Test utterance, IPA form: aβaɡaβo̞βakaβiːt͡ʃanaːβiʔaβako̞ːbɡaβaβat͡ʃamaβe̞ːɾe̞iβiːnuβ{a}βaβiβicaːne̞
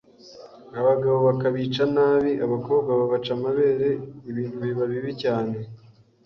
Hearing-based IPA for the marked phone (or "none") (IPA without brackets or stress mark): i